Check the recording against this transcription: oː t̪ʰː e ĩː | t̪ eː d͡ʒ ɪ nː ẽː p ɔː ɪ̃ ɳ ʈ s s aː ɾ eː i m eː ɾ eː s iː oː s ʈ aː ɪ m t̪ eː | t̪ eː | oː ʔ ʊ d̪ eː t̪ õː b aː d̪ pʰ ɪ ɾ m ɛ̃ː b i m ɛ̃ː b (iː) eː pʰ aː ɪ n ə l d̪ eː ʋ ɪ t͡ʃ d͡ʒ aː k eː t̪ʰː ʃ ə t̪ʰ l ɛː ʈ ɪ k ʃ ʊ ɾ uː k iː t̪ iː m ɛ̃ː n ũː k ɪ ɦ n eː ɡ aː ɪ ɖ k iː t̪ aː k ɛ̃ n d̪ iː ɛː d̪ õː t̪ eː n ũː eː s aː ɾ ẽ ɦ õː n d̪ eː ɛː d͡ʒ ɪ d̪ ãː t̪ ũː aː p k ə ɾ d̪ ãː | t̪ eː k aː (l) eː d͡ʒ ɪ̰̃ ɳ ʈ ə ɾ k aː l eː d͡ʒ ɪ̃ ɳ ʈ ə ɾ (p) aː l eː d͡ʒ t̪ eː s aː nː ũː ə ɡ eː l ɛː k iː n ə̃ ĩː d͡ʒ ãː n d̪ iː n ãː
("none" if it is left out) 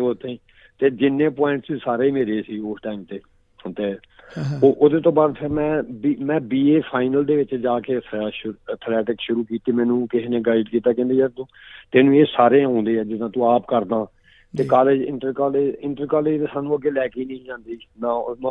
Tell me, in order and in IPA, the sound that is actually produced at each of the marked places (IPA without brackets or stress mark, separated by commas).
iː, l, k